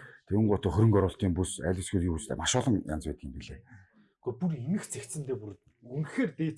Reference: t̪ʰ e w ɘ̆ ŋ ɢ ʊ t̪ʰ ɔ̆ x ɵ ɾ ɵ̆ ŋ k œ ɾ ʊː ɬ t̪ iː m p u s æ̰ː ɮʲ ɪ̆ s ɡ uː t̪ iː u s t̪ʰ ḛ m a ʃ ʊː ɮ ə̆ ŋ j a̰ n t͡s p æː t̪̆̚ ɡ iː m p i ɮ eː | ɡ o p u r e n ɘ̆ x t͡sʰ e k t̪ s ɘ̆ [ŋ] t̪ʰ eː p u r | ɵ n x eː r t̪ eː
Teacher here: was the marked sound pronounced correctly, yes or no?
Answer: no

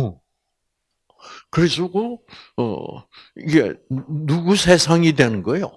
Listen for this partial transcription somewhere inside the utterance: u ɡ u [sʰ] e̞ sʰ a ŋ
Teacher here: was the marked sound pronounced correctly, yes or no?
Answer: yes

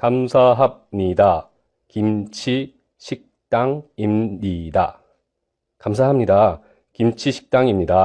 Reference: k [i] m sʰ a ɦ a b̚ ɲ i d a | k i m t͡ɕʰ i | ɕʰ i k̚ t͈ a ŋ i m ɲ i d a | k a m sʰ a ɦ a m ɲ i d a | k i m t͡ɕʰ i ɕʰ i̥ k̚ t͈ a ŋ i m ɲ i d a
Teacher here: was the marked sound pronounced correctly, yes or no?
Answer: no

